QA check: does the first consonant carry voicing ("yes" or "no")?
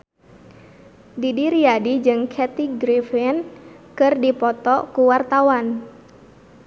yes